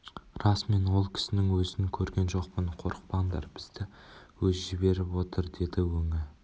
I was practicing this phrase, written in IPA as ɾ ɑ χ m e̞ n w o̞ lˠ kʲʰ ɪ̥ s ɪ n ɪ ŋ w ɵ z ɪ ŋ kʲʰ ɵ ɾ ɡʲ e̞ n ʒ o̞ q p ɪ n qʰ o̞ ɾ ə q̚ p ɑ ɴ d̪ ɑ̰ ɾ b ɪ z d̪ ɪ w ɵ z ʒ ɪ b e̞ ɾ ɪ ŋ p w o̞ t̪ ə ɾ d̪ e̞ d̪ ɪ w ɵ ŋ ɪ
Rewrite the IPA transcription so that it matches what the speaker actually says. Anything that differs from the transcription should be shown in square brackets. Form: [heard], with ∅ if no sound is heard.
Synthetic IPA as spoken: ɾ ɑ [s] m e̞ n w o̞ lˠ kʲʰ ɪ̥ s ɪ n ɪ ŋ w ɵ z ɪ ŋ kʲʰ ɵ ɾ ɡʲ e̞ n ʒ o̞ q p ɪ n qʰ o̞ ɾ ə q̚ p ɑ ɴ d̪ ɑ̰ ɾ b ɪ z d̪ ɪ w ɵ z ʒ ɪ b e̞ ɾ ɪ [∅] p w o̞ t̪ ə ɾ d̪ e̞ d̪ ɪ w ɵ ŋ ɪ